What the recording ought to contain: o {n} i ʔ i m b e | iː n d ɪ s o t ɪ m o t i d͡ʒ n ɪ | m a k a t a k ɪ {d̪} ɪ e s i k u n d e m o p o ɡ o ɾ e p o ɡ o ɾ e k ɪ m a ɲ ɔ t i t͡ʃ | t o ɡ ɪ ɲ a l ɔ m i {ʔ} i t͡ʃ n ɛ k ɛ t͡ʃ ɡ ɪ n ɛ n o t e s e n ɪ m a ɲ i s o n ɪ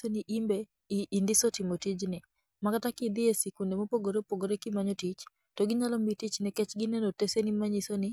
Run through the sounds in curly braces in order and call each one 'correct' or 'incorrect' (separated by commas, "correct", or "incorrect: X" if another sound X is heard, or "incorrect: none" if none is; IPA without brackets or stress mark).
correct, correct, incorrect: t